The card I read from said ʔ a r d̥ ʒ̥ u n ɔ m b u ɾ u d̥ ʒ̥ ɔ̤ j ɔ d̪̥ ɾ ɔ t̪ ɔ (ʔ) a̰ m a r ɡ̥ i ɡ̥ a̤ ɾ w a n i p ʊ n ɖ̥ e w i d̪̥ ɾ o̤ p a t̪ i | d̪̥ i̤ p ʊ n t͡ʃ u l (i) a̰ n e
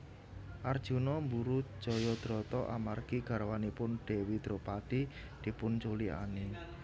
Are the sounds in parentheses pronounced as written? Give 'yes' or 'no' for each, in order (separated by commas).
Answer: yes, yes